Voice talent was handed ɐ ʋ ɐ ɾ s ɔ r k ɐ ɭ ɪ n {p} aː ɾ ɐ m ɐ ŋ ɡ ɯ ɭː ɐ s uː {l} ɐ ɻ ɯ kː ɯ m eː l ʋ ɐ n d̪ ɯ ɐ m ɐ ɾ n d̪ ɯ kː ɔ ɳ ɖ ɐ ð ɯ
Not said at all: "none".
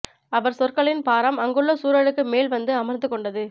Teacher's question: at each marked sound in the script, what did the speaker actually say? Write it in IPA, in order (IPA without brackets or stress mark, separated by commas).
p, ɾ